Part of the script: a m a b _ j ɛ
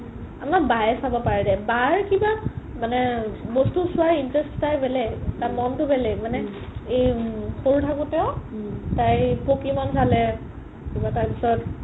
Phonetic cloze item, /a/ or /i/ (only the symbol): a